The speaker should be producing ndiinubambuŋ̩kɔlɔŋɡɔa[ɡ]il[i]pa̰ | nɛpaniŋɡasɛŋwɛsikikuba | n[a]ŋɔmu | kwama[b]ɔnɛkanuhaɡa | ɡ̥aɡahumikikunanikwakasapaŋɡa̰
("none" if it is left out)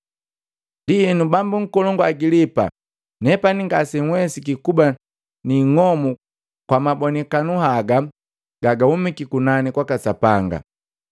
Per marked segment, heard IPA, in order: ɡ, i, i, b

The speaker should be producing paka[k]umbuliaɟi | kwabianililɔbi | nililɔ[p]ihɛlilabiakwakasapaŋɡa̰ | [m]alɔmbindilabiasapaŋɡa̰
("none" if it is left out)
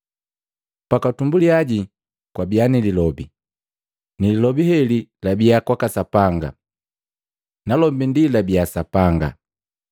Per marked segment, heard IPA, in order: t, b, n

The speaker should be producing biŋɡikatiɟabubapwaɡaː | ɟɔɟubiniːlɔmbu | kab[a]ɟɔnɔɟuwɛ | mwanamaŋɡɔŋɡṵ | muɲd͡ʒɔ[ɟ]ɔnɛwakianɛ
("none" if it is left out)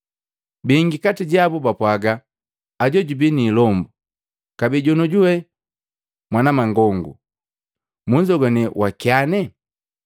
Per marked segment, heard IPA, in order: i, ɡ

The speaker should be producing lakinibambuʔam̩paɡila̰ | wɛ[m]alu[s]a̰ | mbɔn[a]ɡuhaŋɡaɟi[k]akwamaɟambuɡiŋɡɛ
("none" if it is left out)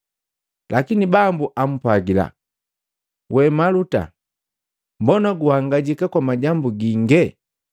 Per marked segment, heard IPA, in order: m, t, a, k

